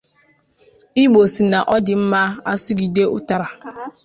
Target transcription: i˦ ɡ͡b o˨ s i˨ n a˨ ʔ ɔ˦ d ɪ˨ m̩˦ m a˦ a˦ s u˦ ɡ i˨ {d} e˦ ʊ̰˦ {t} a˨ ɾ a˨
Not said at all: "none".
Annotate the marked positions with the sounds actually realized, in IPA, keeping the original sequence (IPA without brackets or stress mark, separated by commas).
d, t